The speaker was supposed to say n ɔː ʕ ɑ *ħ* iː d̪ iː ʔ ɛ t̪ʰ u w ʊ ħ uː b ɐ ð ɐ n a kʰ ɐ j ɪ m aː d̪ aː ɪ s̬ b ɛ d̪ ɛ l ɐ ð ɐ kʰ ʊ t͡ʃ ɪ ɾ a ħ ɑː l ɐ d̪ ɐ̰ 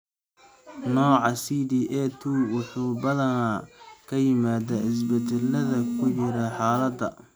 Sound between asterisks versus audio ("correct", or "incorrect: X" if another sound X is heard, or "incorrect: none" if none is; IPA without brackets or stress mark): incorrect: s